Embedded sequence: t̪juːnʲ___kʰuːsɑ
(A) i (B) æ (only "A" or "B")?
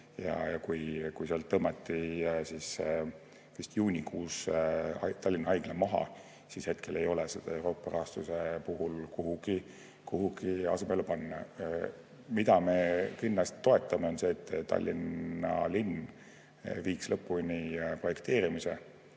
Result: A